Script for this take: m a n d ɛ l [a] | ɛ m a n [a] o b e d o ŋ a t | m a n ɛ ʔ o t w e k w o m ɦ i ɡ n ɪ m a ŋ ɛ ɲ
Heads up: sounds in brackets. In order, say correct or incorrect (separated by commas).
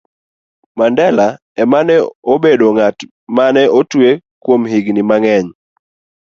correct, incorrect